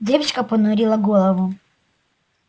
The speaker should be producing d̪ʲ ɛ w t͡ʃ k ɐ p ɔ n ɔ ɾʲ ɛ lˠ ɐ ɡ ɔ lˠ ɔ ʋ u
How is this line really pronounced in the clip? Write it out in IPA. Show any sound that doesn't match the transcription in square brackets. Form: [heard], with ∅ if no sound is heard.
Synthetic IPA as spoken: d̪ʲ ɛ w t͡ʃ k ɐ p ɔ n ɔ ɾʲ [i] lˠ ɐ ɡ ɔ lˠ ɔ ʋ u